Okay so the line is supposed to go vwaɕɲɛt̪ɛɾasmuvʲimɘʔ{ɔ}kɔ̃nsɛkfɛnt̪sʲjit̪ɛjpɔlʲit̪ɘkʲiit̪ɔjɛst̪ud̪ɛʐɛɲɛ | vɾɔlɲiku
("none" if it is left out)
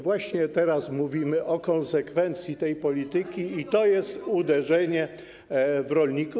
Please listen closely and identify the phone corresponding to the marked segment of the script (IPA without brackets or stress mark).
ɔ